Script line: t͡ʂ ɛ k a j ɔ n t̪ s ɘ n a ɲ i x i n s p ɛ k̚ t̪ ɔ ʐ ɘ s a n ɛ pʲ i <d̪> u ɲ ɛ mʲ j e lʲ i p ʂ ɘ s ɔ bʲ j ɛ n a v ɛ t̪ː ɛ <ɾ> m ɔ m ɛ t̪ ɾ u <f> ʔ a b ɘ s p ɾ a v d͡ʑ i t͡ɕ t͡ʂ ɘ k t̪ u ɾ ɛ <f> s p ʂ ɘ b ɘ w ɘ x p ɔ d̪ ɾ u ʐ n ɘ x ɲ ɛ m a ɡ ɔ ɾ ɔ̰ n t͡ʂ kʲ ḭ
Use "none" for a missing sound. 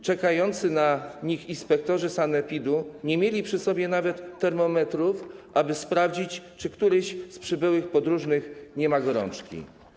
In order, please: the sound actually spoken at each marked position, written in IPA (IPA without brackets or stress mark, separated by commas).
d̪, ɾ, f, ɕ